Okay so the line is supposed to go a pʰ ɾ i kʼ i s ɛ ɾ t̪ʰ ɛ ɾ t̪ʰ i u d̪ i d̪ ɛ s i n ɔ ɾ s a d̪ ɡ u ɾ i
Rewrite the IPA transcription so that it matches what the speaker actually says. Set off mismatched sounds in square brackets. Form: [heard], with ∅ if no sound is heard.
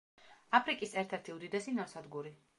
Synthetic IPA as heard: a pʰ ɾ i kʼ i s ɛ ɾ t̪ʰ ɛ ɾ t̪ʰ i u d̪ i d̪ ɛ s i n ɔ ɾ s a d̪ ɡ u ɾ i